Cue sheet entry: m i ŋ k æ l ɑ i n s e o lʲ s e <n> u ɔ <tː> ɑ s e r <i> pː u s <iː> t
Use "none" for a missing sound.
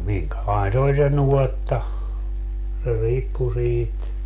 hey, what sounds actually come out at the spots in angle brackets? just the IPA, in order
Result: n, tː, iː, iː

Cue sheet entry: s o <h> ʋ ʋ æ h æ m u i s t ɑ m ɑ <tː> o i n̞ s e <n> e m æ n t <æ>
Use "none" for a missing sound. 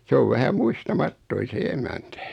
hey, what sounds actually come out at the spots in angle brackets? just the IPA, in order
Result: none, tː, none, æ

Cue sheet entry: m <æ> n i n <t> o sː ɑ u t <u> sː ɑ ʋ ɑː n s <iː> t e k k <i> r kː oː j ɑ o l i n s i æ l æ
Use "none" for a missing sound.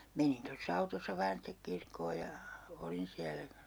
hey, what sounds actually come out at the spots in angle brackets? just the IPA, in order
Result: e, t, o, i, i

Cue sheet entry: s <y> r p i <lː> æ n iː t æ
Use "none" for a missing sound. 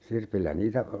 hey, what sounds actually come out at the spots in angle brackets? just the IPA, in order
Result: i, lː

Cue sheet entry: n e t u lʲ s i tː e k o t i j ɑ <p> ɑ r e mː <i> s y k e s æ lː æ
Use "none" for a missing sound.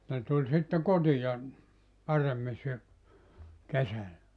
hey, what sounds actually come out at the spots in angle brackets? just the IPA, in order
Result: p, i

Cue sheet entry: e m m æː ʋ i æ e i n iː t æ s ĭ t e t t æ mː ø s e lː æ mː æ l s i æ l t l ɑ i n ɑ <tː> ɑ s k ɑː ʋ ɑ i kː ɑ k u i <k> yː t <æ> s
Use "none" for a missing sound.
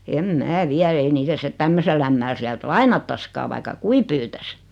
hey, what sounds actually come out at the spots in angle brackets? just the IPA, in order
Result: tː, p, æ

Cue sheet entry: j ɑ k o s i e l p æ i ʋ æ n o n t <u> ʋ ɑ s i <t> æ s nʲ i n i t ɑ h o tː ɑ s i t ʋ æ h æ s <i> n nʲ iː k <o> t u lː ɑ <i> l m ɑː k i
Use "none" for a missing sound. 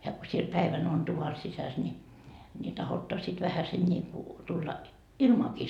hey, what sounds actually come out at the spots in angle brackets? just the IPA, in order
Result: u, s, e, u, i

